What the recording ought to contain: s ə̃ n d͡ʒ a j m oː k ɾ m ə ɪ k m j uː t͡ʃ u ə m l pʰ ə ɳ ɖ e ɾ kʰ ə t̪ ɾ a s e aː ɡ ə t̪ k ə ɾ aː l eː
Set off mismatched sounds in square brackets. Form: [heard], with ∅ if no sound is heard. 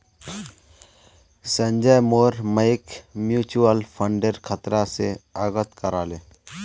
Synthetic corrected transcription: s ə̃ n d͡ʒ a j m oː [∅] ɾ m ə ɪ k m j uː t͡ʃ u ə [∅] l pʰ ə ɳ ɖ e ɾ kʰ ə t̪ ɾ a s e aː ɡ ə t̪ k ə ɾ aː l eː